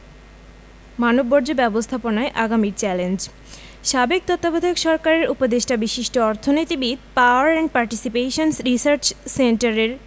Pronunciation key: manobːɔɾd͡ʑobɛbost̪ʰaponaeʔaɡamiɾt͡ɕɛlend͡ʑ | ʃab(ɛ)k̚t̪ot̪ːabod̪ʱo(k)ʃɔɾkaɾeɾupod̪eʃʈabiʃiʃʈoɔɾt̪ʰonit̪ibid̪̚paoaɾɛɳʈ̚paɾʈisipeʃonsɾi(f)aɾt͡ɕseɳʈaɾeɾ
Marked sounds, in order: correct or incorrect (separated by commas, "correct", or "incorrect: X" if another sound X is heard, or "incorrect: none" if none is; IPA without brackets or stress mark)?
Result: incorrect: e, correct, incorrect: s